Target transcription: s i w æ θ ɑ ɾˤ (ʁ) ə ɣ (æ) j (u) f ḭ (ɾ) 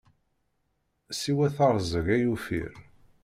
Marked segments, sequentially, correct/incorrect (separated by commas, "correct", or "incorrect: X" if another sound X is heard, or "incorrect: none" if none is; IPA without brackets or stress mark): incorrect: z, correct, correct, correct